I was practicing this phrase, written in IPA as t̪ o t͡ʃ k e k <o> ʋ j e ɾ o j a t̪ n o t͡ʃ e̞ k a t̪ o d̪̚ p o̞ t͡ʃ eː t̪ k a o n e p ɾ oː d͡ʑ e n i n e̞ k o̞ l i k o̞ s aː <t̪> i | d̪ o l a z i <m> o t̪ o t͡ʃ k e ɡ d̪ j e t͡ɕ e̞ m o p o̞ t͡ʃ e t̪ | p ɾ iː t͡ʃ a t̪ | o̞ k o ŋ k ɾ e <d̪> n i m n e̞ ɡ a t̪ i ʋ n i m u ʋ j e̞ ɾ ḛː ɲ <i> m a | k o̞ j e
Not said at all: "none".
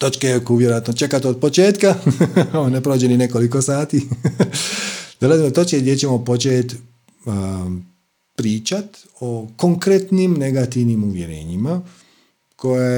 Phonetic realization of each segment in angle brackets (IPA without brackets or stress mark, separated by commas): u, t̪, m, t̪, i